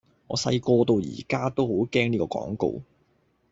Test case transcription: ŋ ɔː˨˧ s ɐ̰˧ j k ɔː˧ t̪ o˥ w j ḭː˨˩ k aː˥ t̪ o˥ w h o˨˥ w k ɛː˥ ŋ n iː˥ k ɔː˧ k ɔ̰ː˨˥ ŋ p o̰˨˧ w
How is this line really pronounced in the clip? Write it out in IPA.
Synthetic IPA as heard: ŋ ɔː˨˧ s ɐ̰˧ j k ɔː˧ t̪ o˧ w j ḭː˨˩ k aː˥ t̪ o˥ w h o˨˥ w k ɛː˥ ŋ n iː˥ k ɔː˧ k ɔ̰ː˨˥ ŋ k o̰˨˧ w